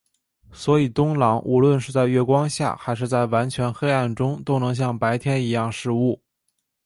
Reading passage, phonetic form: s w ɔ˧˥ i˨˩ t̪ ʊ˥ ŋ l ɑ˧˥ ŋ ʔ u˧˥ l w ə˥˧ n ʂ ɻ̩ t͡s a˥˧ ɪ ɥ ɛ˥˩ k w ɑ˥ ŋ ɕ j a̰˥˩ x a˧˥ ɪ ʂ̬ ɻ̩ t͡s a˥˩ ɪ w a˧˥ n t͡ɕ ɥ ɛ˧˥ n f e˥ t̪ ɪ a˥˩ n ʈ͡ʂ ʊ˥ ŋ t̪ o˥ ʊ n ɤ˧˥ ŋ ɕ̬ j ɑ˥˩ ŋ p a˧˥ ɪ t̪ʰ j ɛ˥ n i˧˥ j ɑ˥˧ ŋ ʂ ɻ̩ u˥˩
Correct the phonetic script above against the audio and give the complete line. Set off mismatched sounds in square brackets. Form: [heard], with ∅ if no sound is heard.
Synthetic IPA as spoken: s w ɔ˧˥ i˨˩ t̪ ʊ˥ ŋ l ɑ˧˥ ŋ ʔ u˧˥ l w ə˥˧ n ʂ ɻ̩ t͡s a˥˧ ɪ ɥ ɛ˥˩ k w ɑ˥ ŋ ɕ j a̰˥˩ x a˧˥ ɪ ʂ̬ ɻ̩ t͡s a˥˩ ɪ w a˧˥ n [t͡ɕʰ] ɥ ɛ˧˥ n [x] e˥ [∅] ɪ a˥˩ n ʈ͡ʂ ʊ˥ ŋ t̪ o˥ ʊ n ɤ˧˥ ŋ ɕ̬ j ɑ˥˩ ŋ p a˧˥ ɪ t̪ʰ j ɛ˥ n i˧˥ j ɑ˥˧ ŋ ʂ ɻ̩ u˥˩